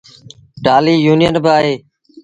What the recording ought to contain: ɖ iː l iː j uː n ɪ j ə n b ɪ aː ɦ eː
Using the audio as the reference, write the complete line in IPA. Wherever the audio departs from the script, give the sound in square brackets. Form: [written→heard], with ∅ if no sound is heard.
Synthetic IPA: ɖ [iː→aː] l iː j uː n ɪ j ə n b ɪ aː ɦ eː